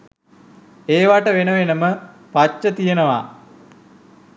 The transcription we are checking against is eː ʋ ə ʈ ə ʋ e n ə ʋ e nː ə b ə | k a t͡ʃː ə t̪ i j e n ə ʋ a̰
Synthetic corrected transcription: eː ʋ a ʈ ə ʋ e n ə ʋ e n ə m ə | p a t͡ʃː ə t̪ i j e n ə ʋ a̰